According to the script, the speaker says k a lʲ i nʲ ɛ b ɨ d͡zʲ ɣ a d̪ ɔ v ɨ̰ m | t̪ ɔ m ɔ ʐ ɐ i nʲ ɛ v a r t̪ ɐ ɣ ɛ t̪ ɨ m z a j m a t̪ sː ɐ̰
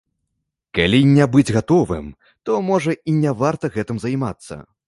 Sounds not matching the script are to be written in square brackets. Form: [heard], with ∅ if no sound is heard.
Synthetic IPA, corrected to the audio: k a lʲ i nʲ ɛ b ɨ d͡zʲ ɣ a [t̪] ɔ v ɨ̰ m | t̪ ɔ m ɔ ʐ ɐ i nʲ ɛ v a r t̪ ɐ ɣ ɛ t̪ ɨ m z a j m a t̪ sː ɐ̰